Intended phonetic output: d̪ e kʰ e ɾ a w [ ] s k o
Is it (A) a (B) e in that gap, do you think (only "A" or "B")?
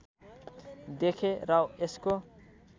B